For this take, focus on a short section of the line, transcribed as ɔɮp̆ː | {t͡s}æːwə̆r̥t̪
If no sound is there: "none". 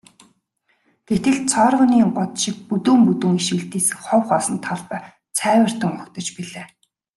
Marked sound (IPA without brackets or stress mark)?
t͡sʰ